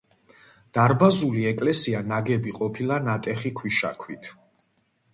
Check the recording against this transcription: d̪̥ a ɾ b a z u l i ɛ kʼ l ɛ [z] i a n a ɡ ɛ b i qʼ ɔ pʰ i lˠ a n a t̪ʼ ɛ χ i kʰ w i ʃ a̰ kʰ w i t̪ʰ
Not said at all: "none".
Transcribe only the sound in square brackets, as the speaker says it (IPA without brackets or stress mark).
s